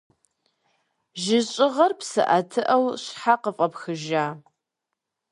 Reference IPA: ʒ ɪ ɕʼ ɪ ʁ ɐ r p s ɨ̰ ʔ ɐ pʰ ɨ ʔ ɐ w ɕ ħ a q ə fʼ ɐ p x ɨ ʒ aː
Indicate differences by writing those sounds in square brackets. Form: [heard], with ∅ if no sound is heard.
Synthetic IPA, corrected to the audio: ʒ ɪ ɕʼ ɪ ʁ ɐ r p s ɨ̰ ʔ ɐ [tʰ] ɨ ʔ ɐ w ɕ ħ a q ə fʼ ɐ p x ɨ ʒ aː